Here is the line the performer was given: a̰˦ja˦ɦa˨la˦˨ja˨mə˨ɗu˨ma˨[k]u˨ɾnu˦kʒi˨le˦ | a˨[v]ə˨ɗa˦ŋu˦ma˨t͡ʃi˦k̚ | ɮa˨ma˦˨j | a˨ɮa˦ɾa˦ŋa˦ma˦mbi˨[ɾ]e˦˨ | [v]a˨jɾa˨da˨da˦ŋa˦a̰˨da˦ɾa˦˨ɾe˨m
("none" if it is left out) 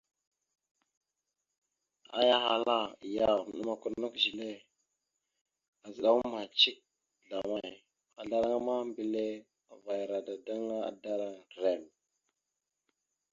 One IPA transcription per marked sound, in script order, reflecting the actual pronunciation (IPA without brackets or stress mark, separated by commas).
k, z, l, v